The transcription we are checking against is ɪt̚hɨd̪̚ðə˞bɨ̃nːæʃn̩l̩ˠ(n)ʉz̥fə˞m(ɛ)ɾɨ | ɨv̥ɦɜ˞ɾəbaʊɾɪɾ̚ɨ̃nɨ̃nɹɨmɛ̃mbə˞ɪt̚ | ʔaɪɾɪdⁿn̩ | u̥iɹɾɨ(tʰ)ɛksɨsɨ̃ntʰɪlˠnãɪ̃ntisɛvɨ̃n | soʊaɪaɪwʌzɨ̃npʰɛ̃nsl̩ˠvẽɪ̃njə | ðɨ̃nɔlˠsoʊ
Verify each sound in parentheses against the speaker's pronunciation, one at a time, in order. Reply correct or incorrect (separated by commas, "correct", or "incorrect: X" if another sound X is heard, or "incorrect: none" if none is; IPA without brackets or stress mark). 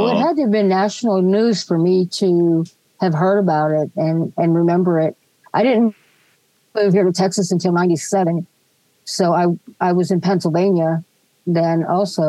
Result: correct, incorrect: i, correct